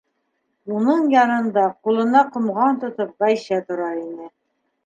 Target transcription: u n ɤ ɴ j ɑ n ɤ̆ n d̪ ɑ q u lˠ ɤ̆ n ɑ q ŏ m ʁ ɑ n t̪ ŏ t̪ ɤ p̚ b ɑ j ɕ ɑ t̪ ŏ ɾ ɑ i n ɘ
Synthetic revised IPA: u n ɤ ɴ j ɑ n ɤ̆ n d̪ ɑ q u lˠ ɤ̆ n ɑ q ŏ m ʁ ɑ n t̪ ŏ t̪ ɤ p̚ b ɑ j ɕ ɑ t̪ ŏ ɾ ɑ i n ɘ